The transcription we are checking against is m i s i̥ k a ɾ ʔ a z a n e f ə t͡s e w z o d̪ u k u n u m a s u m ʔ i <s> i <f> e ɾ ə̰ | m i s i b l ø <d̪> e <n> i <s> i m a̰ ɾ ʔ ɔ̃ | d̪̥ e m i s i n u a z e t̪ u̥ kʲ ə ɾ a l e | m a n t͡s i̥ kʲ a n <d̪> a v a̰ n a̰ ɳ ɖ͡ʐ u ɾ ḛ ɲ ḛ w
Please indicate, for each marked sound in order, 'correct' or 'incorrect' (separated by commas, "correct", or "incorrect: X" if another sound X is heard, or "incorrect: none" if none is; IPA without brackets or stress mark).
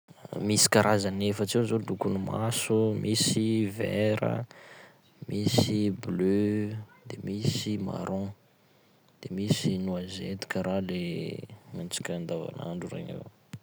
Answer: correct, incorrect: v, correct, incorrect: m, correct, correct